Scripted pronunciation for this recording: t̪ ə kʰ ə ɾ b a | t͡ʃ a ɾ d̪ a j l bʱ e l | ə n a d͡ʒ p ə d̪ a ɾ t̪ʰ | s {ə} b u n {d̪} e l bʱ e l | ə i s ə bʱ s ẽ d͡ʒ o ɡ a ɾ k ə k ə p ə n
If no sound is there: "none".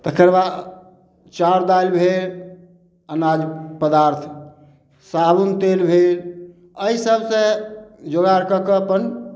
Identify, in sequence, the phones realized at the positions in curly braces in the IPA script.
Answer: a, t̪

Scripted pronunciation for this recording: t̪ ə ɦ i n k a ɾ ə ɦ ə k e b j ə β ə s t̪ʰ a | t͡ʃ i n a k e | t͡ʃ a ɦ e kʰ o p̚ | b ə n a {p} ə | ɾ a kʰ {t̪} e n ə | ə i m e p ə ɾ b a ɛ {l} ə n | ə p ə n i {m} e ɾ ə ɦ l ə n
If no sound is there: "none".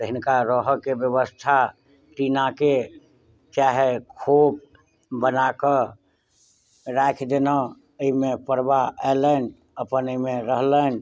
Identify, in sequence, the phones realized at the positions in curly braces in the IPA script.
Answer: k, d̪, l, m

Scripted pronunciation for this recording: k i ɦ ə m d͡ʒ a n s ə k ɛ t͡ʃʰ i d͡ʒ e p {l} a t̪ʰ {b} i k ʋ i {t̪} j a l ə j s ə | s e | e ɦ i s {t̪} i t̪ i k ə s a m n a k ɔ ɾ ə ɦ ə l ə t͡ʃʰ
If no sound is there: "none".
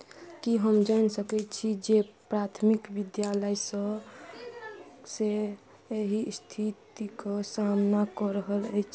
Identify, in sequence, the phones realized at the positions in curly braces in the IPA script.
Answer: ɾ, m, d̪, t̪ʰ

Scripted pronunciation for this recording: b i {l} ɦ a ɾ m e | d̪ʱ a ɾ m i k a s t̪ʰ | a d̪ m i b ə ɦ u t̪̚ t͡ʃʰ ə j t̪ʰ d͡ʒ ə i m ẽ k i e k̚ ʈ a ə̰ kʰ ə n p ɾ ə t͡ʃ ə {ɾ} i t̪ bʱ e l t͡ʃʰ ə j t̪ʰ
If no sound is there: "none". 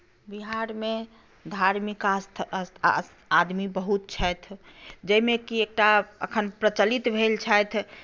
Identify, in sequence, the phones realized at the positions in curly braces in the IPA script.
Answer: none, l

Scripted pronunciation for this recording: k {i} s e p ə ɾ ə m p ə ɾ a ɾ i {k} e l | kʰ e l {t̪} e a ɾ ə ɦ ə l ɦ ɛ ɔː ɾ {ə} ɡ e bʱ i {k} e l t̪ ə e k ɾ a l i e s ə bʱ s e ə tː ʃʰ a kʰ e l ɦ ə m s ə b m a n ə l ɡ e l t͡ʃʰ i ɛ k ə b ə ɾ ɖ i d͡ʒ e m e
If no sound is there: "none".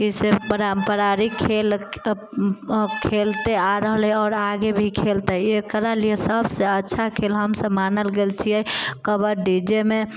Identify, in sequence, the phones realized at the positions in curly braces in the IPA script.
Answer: i, kʰ, t̪, a, kʰ

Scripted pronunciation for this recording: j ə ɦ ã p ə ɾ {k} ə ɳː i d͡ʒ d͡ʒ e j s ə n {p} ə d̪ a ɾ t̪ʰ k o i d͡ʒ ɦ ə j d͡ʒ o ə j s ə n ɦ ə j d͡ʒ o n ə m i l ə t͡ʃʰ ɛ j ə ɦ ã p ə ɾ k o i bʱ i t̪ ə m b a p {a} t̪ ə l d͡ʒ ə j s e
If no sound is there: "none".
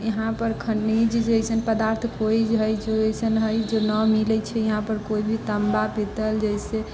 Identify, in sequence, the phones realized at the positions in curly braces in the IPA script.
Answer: kʰ, p, i

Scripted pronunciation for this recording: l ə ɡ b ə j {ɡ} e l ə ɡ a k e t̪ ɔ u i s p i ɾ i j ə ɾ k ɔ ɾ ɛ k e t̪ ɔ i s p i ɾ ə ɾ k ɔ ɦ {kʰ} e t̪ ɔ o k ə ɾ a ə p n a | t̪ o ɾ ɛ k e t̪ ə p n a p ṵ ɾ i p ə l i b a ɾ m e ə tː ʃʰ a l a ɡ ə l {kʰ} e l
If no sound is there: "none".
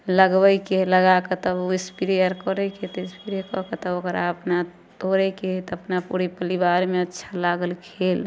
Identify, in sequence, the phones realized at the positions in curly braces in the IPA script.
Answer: k, k, kʰ

